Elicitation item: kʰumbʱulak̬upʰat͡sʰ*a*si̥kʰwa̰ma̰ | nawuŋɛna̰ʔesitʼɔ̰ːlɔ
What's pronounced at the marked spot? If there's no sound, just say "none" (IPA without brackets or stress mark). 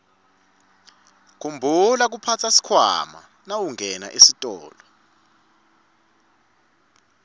a